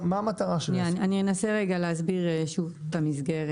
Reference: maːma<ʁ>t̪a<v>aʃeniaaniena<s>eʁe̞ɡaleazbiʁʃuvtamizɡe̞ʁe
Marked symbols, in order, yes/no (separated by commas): no, no, yes